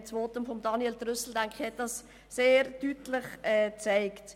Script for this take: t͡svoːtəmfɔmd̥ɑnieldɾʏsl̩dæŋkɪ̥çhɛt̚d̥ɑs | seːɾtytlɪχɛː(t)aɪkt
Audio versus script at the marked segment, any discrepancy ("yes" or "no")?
yes